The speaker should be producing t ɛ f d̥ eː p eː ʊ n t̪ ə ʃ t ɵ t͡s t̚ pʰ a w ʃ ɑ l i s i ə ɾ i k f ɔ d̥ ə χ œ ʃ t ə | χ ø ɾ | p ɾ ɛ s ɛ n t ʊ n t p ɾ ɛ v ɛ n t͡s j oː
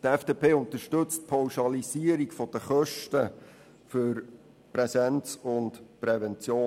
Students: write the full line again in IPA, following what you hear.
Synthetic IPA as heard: t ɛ f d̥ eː p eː ʊ n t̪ ə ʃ t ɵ t͡s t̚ pʰ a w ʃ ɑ l i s i ə ɾ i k f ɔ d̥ ə χ œ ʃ t ə | f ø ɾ | p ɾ ɛ s ɛ n t͡s ʊ n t p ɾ ɛ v ɛ n t͡s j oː